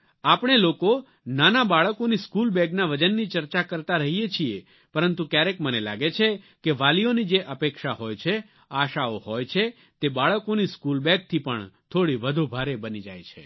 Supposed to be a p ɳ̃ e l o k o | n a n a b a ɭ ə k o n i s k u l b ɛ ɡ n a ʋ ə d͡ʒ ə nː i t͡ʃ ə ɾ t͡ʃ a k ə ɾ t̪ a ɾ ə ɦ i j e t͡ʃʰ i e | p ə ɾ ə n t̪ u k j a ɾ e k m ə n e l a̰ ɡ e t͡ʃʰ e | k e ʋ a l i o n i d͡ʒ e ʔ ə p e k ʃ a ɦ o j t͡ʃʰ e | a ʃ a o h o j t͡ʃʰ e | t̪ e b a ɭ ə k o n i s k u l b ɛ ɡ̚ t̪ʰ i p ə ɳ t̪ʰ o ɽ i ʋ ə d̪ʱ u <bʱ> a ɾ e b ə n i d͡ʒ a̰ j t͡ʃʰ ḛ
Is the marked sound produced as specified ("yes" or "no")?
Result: yes